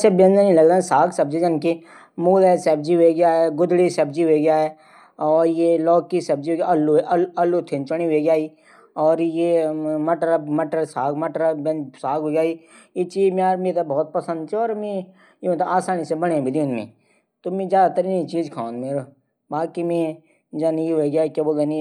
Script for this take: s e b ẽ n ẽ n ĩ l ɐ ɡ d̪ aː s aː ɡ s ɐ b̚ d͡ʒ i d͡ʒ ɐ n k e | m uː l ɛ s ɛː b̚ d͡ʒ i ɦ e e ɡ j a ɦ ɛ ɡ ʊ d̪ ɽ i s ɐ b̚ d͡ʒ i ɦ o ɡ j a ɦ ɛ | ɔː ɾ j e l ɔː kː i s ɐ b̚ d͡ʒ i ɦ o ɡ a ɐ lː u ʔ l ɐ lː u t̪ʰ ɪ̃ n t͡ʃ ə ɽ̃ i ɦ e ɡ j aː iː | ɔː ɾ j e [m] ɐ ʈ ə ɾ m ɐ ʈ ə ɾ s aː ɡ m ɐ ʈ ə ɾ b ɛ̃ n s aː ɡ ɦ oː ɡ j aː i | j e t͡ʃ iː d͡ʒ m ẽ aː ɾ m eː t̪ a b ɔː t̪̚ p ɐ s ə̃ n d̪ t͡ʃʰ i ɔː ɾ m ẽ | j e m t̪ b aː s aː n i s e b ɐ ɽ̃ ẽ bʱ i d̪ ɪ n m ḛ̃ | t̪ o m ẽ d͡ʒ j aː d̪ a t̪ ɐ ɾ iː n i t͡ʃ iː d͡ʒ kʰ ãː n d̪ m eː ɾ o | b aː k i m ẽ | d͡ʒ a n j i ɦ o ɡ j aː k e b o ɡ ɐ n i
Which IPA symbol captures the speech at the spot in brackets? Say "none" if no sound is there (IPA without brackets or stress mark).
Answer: m